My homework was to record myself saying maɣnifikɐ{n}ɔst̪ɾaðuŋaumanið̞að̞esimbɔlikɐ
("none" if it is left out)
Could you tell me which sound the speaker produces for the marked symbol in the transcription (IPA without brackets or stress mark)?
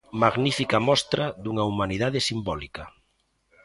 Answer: m